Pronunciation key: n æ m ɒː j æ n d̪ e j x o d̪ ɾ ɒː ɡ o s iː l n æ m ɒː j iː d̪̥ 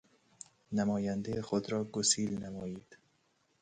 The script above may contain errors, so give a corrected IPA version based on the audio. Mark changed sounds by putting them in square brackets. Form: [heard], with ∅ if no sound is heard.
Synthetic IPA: n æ m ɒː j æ n d̪ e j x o d̪ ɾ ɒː ɡ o s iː l n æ m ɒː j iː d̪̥

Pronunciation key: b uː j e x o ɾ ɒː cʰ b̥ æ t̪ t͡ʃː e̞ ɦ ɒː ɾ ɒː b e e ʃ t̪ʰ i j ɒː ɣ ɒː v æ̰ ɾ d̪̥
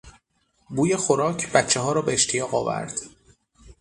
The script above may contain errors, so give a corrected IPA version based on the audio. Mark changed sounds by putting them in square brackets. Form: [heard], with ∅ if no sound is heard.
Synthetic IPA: b uː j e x o ɾ ɒː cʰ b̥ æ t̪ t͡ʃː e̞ ɦ ɒː ɾ ɒː b e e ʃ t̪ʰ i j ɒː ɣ ɒː v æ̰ ɾ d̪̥

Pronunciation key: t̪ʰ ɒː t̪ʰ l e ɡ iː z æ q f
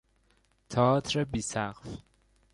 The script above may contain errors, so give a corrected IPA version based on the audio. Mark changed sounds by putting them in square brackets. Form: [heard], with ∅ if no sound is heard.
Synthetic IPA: t̪ʰ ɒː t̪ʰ [ɾ] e [b] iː [s] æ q f

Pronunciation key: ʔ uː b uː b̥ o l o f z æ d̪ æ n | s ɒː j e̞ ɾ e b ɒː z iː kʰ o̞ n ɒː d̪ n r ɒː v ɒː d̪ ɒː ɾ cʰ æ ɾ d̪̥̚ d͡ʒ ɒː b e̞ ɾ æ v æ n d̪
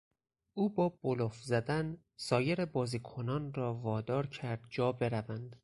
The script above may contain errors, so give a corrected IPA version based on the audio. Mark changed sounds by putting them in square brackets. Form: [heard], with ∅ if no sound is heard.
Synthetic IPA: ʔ uː b [ɒː] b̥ o l o f z æ d̪ æ n | s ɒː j e̞ ɾ e b ɒː z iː kʰ o̞ n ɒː [∅] n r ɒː v ɒː d̪ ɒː ɾ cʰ æ ɾ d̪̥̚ d͡ʒ ɒː b e̞ ɾ æ v æ n d̪

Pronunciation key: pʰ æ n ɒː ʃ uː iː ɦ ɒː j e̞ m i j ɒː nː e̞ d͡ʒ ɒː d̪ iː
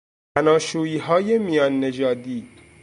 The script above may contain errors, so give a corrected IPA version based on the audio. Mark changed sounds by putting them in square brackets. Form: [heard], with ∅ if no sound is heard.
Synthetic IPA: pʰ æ n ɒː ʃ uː iː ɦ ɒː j e̞ m i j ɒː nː e̞ d͡ʒ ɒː d̪ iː

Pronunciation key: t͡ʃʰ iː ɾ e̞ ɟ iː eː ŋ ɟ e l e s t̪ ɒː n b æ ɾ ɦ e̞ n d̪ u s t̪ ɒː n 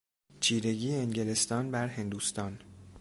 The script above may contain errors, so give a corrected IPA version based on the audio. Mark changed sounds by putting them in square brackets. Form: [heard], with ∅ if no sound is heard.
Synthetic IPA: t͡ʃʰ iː ɾ e̞ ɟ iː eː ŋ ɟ e l e s t̪ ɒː n b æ ɾ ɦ e̞ n d̪ u s t̪ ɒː n

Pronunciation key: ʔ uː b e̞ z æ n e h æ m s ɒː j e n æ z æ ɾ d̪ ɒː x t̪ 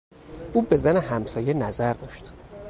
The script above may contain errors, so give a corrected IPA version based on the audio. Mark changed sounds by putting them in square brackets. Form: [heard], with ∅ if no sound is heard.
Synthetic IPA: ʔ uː b e̞ z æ n e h æ m s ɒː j e n æ z æ ɾ d̪ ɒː [ʃ] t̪

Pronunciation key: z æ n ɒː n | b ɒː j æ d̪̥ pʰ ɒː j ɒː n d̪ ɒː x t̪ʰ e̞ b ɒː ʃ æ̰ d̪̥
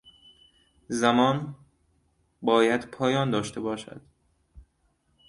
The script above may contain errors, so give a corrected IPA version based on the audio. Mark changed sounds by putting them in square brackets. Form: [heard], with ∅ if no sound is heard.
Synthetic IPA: z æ [m] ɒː n | b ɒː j æ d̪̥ pʰ ɒː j ɒː n d̪ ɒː [ʃ] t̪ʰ e̞ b ɒː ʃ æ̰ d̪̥

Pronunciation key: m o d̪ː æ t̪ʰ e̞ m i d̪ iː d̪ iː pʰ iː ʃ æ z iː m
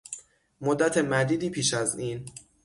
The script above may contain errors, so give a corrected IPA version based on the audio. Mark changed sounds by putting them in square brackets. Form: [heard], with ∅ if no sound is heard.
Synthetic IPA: m o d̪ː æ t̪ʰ e̞ m [æ] d̪ iː d̪ iː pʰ iː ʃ æ z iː [n]

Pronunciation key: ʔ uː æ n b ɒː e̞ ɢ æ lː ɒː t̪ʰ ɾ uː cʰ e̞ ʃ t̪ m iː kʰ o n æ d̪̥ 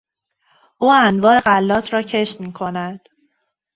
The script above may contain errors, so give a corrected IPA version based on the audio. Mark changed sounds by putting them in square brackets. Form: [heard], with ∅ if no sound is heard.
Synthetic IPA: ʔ uː æ n [v] ɒː e̞ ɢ æ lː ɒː t̪ʰ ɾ [ɒː] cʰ e̞ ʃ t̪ m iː kʰ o n æ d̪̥

